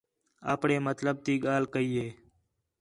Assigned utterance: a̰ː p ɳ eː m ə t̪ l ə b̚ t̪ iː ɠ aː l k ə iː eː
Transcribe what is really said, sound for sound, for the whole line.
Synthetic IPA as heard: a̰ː p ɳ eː m ə t̪ l ə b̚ t̪ iː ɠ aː l k ə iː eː